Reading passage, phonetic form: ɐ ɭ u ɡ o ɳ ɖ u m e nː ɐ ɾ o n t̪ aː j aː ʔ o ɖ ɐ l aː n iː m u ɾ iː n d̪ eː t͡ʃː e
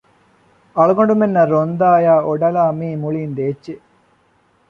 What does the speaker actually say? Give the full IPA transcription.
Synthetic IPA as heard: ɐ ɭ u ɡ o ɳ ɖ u m e nː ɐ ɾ o n d̪ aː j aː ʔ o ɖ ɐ l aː m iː m u ɭ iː n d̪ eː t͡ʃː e